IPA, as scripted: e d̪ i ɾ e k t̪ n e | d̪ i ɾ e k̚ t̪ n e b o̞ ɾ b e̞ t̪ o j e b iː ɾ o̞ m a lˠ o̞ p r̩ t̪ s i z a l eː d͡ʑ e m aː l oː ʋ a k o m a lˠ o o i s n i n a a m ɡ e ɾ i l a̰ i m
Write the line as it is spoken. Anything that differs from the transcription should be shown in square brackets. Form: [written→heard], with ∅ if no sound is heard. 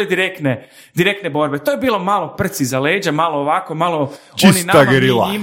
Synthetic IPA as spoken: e d̪ i ɾ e k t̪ n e | d̪ i ɾ e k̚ t̪ n e b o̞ ɾ b e̞ t̪ o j e b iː [ɾ→l] o̞ m a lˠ o̞ p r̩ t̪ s i z a l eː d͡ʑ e m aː l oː ʋ a k o m a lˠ o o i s n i n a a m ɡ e ɾ i l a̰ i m